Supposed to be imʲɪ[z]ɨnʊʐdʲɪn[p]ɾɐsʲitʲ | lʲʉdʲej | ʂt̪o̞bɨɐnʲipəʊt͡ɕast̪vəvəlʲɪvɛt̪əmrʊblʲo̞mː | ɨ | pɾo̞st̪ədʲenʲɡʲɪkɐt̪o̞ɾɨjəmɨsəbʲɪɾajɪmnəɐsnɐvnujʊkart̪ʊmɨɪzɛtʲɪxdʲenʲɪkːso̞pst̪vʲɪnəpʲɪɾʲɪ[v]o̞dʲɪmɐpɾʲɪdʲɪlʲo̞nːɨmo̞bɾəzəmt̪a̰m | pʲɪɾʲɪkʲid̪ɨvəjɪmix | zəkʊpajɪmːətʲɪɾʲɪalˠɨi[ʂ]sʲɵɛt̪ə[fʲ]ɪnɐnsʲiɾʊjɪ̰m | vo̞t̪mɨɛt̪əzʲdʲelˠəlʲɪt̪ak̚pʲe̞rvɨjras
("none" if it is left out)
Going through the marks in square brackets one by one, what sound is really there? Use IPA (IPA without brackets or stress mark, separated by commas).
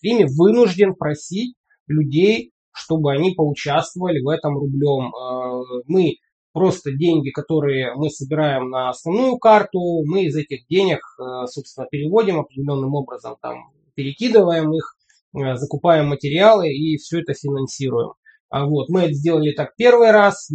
v, p, v, f, fʲ